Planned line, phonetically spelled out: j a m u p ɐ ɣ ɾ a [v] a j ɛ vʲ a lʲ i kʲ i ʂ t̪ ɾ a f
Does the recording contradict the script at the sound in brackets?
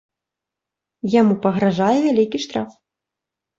yes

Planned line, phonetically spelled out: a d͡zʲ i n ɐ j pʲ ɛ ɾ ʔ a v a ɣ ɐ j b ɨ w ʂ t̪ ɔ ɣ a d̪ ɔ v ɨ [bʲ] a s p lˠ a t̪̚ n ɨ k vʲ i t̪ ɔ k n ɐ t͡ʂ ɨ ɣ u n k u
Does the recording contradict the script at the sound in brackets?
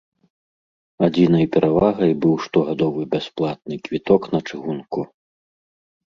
no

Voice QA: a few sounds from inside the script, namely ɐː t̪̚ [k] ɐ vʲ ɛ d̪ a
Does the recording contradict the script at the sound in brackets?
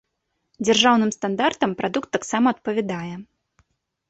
yes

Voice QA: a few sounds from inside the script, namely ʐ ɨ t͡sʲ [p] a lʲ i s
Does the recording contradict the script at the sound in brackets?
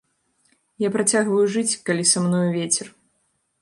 yes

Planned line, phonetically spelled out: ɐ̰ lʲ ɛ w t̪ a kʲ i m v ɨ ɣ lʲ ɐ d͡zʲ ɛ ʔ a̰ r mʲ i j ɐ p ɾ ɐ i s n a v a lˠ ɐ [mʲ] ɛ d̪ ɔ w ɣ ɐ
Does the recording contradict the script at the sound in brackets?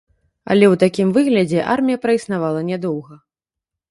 yes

